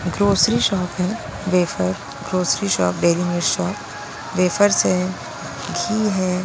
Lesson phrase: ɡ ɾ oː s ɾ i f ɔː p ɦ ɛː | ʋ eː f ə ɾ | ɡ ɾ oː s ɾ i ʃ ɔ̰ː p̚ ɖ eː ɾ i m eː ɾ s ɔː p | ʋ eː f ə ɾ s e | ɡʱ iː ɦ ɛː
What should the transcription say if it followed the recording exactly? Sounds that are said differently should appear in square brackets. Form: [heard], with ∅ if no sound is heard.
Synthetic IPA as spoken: ɡ ɾ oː s ɾ i [ʃ] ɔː p ɦ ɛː | ʋ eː f ə ɾ | ɡ ɾ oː s ɾ i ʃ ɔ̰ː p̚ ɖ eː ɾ i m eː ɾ [ʃ] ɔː p | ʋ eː f ə ɾ s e | ɡʱ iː ɦ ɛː